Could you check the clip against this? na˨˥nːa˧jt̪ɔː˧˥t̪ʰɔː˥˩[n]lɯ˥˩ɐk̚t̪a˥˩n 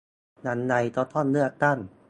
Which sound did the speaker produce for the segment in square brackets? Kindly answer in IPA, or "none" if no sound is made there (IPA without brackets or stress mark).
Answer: n